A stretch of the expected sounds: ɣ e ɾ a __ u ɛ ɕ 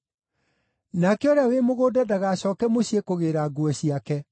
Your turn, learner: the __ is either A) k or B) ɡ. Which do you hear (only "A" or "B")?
B